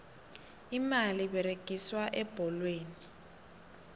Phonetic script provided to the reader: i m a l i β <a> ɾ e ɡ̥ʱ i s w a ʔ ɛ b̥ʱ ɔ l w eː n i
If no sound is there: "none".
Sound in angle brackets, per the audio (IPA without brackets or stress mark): ɛ